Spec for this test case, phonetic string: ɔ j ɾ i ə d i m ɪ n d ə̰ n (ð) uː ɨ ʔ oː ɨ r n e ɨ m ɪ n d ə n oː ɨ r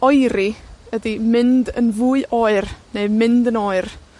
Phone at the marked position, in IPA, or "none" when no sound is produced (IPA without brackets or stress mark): v